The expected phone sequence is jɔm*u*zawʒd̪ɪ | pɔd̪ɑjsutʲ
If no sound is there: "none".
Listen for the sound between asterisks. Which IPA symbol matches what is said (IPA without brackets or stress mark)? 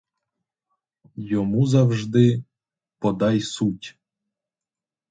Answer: u